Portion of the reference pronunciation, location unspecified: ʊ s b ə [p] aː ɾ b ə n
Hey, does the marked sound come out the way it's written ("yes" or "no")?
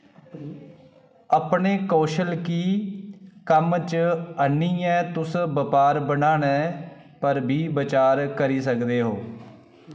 yes